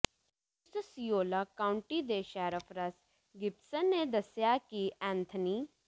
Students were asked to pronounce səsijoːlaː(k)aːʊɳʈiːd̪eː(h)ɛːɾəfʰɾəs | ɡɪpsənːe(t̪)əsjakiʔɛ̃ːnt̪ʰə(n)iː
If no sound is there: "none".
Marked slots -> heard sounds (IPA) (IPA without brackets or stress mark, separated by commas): k, ʃ, d̪, n